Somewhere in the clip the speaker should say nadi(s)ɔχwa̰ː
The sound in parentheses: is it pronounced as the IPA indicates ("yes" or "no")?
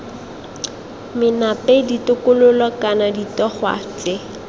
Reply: no